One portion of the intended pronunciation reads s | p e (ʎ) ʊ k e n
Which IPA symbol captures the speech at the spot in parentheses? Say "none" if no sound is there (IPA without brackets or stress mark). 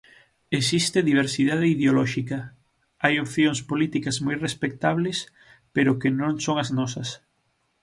ɾ